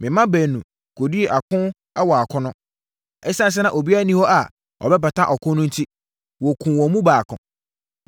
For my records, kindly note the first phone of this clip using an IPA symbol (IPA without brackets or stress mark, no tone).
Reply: m